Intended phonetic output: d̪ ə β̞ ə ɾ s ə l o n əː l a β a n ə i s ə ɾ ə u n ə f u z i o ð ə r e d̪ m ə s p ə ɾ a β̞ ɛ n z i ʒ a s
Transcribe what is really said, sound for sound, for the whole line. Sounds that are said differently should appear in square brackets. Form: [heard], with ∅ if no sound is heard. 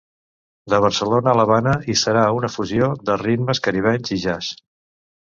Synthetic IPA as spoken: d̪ ə β̞ ə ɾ s ə l o n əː l [ə] β a n ə i s ə ɾ [a] u n ə f u z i o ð ə r [i] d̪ m ə s [k] ə ɾ [i] β̞ ɛ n z i ʒ a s